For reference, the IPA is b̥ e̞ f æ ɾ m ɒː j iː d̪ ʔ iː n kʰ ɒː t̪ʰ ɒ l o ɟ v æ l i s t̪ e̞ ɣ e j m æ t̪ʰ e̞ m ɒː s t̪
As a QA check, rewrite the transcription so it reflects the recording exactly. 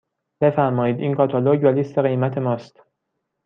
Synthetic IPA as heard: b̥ e̞ f æ ɾ m ɒː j iː d̪ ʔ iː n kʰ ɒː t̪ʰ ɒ l o ɟ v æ l i s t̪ e̞ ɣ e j m æ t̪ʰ e̞ m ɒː s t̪